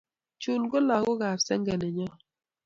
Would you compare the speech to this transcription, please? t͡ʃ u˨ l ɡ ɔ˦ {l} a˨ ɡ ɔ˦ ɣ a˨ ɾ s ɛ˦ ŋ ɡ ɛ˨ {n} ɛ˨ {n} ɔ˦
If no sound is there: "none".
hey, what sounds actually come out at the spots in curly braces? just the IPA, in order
l, n, ɲ

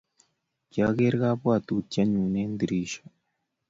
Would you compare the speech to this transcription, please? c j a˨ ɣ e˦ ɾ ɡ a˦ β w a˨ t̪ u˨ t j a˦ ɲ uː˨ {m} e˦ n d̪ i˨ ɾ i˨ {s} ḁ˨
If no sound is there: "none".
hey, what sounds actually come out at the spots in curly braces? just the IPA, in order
n, ʃ

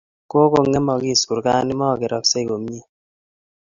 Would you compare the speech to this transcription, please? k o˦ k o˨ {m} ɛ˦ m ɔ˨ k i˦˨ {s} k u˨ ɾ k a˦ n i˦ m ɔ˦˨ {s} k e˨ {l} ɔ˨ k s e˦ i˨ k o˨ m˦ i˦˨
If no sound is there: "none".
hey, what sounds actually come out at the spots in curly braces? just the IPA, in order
ŋ, s, none, ɾ

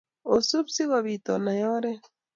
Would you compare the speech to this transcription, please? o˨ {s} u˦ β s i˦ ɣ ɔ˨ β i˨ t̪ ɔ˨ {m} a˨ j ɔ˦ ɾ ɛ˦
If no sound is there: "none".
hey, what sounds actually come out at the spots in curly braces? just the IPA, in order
s, n

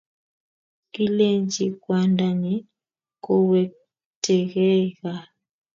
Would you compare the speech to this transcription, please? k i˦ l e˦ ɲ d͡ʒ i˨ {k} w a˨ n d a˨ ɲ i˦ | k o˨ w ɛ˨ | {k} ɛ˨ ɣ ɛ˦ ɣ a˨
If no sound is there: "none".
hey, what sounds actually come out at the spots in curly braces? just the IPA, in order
k, t

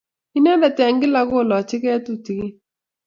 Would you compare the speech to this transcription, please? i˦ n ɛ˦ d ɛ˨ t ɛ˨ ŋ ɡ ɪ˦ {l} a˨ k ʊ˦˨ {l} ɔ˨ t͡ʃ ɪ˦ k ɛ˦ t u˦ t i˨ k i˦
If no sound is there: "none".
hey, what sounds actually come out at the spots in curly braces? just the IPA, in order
l, l

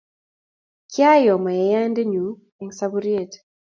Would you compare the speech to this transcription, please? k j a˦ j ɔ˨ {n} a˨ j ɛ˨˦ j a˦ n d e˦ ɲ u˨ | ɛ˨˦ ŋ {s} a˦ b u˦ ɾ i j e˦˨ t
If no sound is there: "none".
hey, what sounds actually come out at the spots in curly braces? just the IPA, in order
m, s

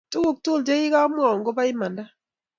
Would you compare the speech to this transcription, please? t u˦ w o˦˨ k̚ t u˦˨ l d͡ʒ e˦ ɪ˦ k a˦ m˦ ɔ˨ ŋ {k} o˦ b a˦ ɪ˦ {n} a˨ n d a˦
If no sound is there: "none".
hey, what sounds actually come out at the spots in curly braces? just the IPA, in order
ɡ, m

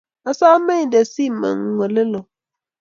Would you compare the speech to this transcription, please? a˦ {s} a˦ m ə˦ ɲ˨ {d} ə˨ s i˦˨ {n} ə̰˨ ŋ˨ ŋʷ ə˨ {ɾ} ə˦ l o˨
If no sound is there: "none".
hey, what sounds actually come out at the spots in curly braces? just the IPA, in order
s, d, m, l

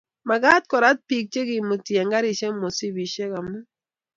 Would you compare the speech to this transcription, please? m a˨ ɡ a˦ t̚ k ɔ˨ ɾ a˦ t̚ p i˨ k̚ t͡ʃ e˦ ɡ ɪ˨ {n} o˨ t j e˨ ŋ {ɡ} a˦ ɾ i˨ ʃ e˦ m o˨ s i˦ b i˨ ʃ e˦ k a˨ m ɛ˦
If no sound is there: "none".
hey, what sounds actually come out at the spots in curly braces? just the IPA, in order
m, ɡ

